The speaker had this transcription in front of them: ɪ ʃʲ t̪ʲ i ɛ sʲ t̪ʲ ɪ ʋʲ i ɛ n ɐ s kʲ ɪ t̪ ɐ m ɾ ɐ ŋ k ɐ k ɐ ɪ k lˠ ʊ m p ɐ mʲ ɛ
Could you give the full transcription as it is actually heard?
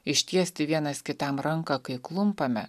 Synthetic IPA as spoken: ɪ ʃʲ t̪ʲ i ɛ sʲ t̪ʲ ɪ ʋʲ i ɛ n ɐ s kʲ ɪ t̪ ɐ m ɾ ɐ ŋ k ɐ k ɐ ɪ k lˠ ʊ m p ɐ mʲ ɛ